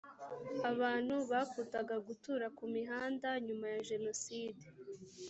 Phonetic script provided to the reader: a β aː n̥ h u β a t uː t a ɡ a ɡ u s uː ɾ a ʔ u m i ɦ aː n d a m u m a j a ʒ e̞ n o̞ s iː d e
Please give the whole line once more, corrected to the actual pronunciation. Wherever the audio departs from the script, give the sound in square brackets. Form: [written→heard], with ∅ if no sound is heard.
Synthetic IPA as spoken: a β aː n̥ h u β a [t→k] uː t a ɡ a ɡ u [s→t] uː ɾ a [ʔ→k] u m i ɦ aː n d a [m→ɲ] u m a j a ʒ e̞ n o̞ s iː d e